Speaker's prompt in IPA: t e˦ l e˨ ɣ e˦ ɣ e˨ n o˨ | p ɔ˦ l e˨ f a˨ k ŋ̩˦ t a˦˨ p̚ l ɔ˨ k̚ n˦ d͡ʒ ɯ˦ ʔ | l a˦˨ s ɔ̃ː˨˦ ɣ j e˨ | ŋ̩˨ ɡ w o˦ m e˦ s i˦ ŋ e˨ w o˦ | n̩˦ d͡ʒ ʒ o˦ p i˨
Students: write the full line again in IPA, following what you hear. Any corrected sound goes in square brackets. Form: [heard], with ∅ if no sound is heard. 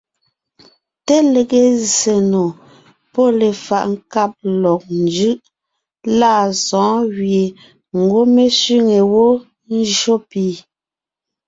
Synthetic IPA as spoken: t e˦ l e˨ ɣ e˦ [z] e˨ n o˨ | p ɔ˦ l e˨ f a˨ [ʔ] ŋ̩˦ [k] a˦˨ p̚ l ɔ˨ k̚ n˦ d͡ʒ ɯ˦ ʔ | l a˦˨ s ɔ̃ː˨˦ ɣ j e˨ | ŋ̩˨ ɡ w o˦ m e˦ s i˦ ŋ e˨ w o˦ | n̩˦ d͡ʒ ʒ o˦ p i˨